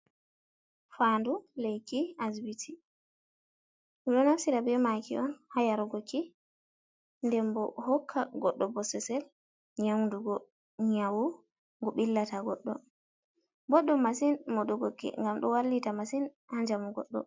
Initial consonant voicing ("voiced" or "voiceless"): voiceless